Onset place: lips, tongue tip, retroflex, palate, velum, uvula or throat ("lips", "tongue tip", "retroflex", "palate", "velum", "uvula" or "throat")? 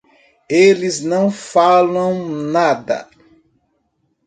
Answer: tongue tip